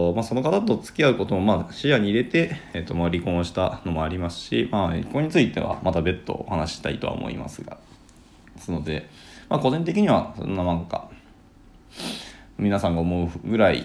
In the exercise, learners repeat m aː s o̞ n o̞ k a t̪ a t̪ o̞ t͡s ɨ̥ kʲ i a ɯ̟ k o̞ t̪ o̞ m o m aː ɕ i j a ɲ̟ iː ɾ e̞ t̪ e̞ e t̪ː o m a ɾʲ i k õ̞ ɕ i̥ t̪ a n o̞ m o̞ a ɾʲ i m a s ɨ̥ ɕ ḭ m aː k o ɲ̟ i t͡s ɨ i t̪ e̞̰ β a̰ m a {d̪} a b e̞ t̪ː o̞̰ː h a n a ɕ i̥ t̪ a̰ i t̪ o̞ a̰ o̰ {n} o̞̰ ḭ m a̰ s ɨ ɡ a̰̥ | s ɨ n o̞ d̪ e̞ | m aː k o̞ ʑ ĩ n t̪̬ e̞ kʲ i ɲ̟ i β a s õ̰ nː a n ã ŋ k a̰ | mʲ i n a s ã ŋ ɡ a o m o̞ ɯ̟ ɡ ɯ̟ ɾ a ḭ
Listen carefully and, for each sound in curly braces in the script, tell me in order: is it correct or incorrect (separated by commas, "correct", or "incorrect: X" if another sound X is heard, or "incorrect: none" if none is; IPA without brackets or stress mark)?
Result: incorrect: t̪, incorrect: m